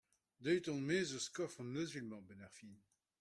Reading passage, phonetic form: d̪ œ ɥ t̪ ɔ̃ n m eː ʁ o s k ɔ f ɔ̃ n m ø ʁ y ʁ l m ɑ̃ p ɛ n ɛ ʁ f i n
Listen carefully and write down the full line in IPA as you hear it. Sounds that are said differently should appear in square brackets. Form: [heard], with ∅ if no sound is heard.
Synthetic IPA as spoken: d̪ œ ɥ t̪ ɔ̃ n m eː [z] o s k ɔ f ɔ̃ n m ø [z] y [∅] l m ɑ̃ [b] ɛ n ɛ ʁ f i n